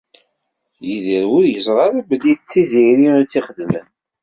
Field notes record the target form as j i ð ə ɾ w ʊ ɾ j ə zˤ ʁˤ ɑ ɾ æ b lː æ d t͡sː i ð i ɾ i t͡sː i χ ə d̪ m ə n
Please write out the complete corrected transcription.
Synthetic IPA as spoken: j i ð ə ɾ w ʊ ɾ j ə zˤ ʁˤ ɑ ɾ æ b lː i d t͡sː i z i ɾ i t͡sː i χ ə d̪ m ə n

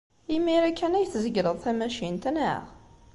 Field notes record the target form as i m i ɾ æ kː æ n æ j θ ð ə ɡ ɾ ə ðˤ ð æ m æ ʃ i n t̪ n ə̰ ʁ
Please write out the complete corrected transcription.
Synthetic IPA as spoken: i m i ɾ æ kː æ n æ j θ z ə ɡ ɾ ə ðˤ θ æ m æ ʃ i n t̪ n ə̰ ʁ

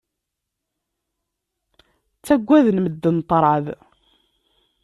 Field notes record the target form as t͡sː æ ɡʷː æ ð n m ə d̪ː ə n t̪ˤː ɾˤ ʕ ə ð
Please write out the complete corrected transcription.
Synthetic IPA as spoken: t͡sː æ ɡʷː æ ð n m ə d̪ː ə n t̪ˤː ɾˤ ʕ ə ð

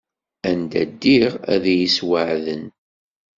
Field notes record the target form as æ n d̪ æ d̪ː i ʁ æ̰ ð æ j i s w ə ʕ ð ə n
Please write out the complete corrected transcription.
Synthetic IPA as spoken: æ n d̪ æ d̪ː i ʁ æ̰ ð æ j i s w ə ʕ ð ə n

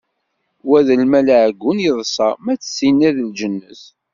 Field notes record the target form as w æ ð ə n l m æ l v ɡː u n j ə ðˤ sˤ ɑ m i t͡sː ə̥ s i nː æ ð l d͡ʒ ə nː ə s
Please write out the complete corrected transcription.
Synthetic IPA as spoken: w æ ð ə l m æ l ʕ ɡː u n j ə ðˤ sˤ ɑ m æ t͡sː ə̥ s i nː æ ð l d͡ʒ ə nː ə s

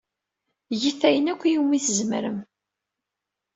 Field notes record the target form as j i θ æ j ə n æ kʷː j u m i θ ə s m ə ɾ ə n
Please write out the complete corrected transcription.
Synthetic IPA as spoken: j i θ æ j ə n æ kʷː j u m i θ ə z m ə ɾ ə m

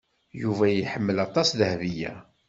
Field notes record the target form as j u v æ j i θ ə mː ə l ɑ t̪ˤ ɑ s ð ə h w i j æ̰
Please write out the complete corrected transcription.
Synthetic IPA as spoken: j u v æ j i ħ ə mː ə l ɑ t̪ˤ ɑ s ð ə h v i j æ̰

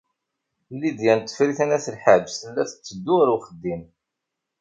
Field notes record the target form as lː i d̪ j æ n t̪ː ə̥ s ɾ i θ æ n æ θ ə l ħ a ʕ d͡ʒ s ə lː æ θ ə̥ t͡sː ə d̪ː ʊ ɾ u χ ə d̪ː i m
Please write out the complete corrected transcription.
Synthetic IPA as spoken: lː i d̪ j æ n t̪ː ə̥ f ɾ i θ æ n æ θ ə l ħ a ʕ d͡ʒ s ə lː æ θ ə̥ t͡sː ə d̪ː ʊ ɾ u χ ə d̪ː i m

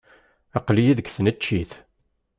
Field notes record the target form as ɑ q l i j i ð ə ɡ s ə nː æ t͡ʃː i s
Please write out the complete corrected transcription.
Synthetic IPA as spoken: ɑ q l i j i ð ə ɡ θ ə n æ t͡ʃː i θ

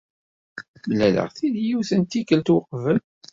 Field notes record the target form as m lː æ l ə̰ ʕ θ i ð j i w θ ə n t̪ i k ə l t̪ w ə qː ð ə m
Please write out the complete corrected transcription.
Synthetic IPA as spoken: m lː æ l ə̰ ʁ θ i ð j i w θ ə n t̪ i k ə l t̪ w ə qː v ə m

